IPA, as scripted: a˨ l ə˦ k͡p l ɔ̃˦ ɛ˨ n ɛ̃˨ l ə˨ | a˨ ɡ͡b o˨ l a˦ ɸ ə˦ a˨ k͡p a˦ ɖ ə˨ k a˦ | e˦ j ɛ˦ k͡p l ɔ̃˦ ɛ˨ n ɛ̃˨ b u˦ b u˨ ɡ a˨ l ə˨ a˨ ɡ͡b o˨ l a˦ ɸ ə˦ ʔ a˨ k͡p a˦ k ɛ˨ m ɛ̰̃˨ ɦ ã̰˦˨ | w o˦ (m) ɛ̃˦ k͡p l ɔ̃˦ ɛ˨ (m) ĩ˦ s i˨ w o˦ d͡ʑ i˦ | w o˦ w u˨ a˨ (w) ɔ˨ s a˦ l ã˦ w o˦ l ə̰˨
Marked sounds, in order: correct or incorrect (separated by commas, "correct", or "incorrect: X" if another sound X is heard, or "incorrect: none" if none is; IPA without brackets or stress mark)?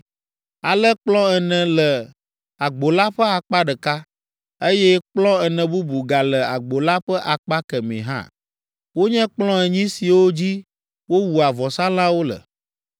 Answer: incorrect: ɲ, incorrect: ɲ, incorrect: v